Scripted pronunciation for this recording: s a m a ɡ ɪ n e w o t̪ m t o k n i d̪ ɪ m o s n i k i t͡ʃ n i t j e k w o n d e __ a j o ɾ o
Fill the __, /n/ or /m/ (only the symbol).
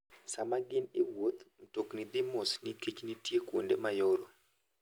m